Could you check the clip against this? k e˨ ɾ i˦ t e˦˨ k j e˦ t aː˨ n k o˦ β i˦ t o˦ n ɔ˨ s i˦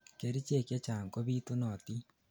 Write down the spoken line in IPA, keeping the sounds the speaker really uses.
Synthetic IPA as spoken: k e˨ ɾ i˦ t͡ʃ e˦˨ k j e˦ t͡ʃ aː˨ ŋ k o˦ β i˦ t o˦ n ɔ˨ t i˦